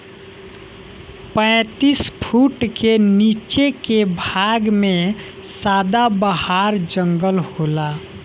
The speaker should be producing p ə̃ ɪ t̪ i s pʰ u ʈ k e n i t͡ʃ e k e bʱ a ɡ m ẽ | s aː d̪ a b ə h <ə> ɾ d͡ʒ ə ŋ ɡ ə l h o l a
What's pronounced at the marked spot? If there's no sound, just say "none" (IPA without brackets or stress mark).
a